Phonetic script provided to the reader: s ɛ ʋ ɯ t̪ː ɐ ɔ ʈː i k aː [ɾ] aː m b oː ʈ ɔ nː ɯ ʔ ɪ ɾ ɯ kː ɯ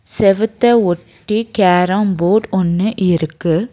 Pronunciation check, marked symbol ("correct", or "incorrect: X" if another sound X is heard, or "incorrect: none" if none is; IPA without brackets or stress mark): correct